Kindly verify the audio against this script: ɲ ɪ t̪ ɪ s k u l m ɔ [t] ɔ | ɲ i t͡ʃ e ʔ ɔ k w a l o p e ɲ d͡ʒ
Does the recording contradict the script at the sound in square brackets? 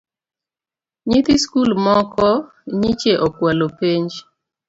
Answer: yes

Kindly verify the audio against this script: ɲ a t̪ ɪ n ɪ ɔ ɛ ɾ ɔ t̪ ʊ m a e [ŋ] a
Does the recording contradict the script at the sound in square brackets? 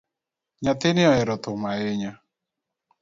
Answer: yes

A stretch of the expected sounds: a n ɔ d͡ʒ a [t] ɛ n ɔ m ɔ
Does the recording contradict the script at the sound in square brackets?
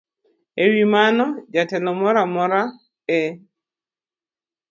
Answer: no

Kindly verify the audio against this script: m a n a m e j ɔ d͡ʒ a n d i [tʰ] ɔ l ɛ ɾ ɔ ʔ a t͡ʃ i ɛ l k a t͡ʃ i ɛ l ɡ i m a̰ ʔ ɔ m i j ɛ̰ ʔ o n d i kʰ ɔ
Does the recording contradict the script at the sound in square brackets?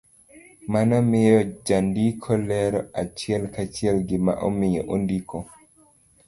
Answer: yes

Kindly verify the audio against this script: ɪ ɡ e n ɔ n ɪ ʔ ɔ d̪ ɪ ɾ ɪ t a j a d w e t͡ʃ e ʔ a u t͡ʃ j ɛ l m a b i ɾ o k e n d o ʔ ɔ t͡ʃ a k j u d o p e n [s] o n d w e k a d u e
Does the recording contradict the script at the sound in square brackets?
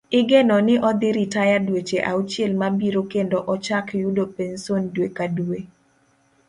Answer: no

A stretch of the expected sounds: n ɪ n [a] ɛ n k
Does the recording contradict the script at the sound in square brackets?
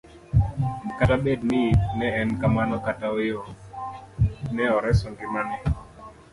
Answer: yes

